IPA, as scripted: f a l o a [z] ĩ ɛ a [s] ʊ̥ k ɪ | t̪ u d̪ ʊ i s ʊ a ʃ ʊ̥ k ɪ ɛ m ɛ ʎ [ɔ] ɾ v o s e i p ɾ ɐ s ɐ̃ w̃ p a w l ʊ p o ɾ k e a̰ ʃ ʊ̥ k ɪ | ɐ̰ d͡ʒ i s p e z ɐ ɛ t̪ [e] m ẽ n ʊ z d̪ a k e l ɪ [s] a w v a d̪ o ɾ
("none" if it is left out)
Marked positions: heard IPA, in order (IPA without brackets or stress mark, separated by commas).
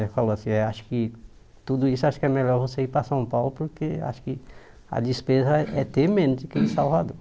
s, ʃ, ɔ, e, s